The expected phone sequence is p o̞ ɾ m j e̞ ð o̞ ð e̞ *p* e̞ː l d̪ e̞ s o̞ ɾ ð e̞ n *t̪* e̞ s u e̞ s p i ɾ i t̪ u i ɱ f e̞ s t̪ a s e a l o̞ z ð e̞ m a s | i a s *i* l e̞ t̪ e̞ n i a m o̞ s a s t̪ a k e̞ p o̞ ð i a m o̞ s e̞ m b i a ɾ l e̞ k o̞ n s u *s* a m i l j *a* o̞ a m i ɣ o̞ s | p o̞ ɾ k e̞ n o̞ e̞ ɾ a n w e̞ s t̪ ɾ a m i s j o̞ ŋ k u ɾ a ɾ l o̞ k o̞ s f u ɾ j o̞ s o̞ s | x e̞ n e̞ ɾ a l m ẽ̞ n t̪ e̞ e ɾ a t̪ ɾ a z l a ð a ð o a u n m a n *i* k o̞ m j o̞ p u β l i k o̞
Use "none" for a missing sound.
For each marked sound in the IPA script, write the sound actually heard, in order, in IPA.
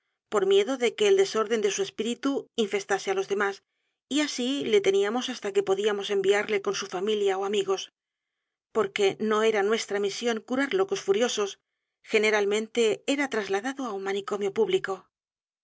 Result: k, d̪, i, f, a, i

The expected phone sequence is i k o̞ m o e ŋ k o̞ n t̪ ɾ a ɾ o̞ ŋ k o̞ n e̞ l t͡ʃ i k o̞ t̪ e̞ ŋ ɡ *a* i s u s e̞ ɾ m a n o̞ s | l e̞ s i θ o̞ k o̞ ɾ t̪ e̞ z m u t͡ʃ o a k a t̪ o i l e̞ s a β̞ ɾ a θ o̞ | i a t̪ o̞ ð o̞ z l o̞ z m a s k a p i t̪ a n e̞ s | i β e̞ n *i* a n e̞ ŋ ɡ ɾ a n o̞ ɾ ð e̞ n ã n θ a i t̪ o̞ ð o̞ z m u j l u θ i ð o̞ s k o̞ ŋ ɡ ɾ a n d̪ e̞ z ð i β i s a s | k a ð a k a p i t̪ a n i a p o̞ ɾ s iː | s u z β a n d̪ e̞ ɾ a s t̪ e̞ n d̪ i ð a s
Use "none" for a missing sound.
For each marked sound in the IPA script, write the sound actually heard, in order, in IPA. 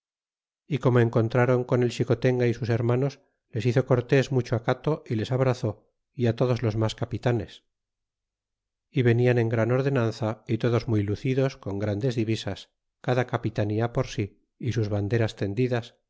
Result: a, i

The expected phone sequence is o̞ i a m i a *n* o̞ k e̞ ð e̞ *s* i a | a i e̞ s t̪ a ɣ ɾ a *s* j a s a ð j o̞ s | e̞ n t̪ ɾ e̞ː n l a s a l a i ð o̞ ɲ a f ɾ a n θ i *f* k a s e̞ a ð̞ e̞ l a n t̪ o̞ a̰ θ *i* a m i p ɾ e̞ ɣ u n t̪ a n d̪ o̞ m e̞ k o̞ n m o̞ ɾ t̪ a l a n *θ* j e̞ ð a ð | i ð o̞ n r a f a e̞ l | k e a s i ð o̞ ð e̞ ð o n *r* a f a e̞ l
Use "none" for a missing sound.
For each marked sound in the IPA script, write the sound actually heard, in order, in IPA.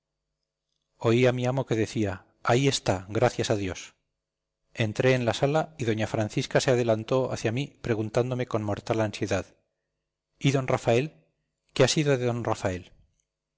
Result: m, θ, θ, s, j, s, r

